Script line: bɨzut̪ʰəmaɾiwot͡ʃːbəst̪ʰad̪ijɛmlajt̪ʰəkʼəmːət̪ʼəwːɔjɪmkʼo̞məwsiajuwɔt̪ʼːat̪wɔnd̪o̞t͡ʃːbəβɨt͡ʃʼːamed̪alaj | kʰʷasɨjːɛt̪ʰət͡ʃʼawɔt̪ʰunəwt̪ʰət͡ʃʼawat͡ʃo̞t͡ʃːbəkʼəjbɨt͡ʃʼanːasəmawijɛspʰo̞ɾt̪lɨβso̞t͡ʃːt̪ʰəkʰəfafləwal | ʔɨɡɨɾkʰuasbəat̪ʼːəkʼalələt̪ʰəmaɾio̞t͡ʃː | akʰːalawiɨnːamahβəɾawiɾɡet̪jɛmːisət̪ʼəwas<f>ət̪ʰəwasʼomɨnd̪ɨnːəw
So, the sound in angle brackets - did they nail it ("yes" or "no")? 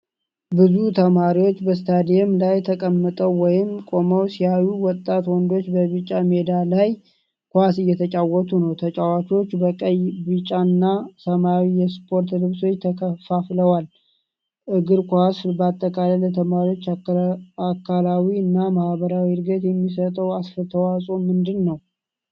yes